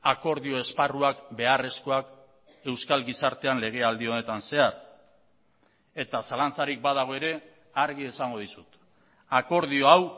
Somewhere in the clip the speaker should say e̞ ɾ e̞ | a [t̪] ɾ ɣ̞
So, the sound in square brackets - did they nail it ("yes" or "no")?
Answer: no